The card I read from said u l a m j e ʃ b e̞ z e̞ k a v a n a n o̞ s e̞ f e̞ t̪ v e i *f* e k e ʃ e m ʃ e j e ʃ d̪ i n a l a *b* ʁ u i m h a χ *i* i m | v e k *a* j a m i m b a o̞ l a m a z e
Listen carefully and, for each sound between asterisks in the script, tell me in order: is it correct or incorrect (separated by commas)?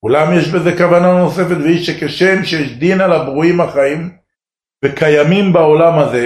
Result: incorrect, correct, incorrect, correct